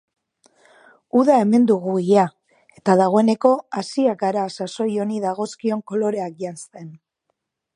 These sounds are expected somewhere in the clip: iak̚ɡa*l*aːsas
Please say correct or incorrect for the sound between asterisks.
incorrect